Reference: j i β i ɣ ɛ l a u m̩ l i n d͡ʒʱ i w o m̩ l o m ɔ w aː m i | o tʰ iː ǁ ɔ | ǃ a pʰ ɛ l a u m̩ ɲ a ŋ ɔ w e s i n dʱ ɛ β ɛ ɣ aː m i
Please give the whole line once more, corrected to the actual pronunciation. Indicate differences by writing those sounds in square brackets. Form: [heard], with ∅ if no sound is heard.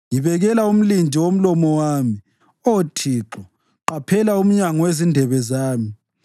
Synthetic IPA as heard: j i β [ɛ] ɣ ɛ l a u m̩ l i n d͡ʒʱ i w o m̩ l [ɔ] m ɔ w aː m i | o tʰ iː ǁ ɔ | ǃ a pʰ ɛ l a u m̩ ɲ a ŋ ɔ w e [z] i n dʱ ɛ β ɛ [z] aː m i

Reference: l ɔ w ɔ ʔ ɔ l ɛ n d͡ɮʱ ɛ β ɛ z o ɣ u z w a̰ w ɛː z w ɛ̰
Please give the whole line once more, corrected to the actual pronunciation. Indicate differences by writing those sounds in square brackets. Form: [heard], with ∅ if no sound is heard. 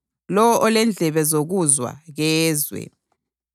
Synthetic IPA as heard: l ɔ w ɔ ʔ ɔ l ɛ n d͡ɮʱ ɛ β ɛ z o ɣ u z w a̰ [ɣ] ɛː z w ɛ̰

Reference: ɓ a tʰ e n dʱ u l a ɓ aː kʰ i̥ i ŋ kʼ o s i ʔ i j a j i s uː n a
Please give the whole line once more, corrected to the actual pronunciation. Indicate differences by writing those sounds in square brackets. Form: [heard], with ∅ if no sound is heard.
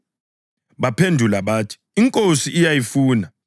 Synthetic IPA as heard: ɓ a [pʰ] e n dʱ u l a ɓ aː [tʰ] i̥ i ŋ kʼ o s i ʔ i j a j i [f] uː n a

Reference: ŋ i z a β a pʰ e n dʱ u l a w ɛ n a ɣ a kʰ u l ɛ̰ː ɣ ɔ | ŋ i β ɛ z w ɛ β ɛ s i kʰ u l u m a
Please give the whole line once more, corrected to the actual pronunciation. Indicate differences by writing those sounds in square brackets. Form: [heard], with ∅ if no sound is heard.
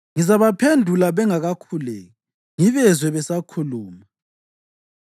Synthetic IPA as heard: ŋ i z a β a pʰ e n dʱ u l a [β] ɛ [ŋ] a ɣ a kʰ u l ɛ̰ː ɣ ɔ | ŋ i β ɛ z w ɛ β ɛ s [a] kʰ u l [uː] m a

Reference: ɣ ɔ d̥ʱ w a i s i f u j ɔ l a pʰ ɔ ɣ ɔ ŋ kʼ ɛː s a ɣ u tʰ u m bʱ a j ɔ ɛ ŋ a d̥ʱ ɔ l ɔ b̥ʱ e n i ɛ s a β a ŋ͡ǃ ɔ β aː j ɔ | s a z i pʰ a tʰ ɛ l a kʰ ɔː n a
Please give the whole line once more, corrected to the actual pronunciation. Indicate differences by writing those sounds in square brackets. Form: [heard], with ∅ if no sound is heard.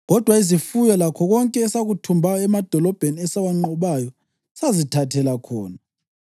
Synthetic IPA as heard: ɣ ɔ d̥ʱ w a i [z] i f u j ɔ l a [kʰ] ɔ ɣ ɔ ŋ kʼ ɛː s a ɣ u tʰ u m bʱ a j ɔ ɛ [m] a d̥ʱ ɔ l ɔ b̥ʱ e n i ɛ s a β a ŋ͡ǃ ɔ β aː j ɔ | s a z i [tʰ] a tʰ ɛ l a kʰ ɔː n a

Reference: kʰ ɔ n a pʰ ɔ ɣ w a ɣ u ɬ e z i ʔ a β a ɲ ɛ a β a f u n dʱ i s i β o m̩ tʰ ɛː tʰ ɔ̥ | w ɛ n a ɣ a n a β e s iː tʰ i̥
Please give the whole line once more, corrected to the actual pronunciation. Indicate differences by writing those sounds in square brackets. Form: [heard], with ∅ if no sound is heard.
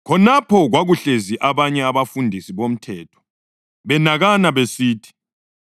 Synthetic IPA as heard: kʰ ɔ n a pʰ ɔ ɣ w a ɣ u ɬ e z i ʔ a β a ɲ ɛ a β a f u n dʱ i s i β o m̩ tʰ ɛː tʰ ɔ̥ | [β] ɛ n a ɣ a n a β e s iː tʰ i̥

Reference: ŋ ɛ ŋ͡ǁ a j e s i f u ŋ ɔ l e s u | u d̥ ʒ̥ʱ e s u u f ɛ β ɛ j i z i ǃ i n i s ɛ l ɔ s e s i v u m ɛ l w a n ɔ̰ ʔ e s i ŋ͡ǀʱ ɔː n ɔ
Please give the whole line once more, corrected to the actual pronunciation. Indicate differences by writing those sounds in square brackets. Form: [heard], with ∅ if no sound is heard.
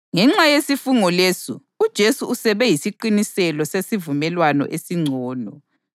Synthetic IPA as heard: ŋ ɛ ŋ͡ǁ a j e s i f u ŋ ɔ l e s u | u d̥ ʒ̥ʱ e s u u [s] ɛ β ɛ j i [s] i ǃ i n i s ɛ l ɔ s e s i v u m ɛ l w a n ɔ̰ ʔ e s i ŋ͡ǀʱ ɔː n ɔ

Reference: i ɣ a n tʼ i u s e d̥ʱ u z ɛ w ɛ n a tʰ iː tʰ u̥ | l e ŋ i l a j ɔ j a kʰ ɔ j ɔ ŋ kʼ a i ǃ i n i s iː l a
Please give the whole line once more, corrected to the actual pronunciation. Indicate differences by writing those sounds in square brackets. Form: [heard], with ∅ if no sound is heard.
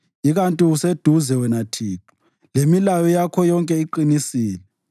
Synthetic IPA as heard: i ɣ a n tʼ i u s e d̥ʱ u z ɛ w ɛ n a tʰ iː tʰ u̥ | l e [m] i l a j ɔ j a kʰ ɔ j ɔ ŋ kʼ [ɛ] i ǃ i n i s iː l [ɛ]

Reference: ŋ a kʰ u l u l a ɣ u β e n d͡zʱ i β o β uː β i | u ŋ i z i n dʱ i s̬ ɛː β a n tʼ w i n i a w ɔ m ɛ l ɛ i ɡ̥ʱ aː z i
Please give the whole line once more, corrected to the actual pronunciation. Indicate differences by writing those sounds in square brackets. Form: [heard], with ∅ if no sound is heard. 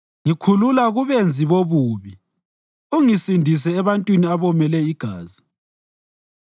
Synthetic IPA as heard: ŋ [i] kʰ u l u l a ɣ u β e n d͡zʱ i β o β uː β i | u ŋ i [s] i n dʱ i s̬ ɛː β a n tʼ w i n i a [β] ɔ m ɛ l ɛ i ɡ̥ʱ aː z i

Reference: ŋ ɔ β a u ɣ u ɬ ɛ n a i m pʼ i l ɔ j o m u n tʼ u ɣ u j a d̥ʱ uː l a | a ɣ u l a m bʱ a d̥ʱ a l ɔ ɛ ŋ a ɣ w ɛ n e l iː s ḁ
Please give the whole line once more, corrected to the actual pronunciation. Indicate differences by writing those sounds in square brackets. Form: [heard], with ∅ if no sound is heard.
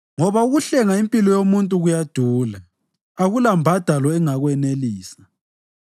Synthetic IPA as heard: ŋ ɔ β a u ɣ u ɬ ɛ [ŋ] a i m pʼ i l ɔ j o m u n tʼ u ɣ u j a d̥ʱ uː l a | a ɣ u l a m bʱ a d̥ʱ a l ɔ ɛ ŋ a ɣ w ɛ n e l iː s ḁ

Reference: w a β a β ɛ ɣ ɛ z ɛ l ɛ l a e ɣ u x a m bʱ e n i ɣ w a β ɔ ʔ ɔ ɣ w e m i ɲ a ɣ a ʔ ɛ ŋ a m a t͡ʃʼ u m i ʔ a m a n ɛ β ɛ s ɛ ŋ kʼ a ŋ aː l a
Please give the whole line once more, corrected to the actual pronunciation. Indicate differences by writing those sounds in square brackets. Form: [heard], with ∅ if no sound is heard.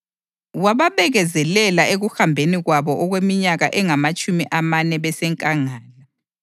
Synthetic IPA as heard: w a β a β ɛ ɣ ɛ z ɛ l ɛ l a e ɣ u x a m bʱ e n i ɣ w a β ɔ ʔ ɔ ɣ w e m i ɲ a ɣ a ʔ ɛ ŋ a m a t͡ʃʼ u m i ʔ a m a n ɛ β ɛ s ɛ ŋ kʼ a ŋ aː l a

